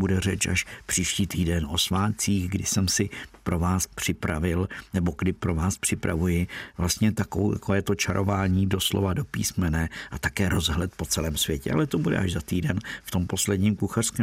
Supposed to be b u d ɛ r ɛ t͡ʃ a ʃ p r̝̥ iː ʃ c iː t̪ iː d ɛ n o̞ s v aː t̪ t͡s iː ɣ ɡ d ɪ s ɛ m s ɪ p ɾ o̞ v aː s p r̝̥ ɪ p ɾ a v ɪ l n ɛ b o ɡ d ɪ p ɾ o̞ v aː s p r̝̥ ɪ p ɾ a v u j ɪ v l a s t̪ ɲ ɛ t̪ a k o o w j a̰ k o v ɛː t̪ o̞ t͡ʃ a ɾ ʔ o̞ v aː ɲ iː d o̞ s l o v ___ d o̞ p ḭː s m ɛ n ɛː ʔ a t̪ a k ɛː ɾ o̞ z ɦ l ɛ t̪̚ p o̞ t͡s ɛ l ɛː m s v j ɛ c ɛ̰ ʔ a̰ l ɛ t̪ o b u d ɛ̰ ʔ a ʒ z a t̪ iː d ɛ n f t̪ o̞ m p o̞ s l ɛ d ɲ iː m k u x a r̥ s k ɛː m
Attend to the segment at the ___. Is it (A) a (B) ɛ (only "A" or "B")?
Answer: A